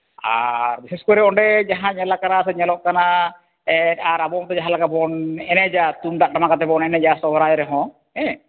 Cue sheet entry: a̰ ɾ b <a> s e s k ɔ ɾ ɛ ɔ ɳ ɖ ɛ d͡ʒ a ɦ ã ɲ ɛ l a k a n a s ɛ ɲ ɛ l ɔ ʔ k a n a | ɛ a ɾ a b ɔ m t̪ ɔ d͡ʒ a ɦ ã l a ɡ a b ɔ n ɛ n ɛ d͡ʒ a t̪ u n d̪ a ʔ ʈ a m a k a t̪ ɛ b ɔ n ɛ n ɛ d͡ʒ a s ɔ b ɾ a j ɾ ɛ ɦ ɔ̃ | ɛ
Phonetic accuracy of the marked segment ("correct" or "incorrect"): incorrect